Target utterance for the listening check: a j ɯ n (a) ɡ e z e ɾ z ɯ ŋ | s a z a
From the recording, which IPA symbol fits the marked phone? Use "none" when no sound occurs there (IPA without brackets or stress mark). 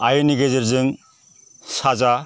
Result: i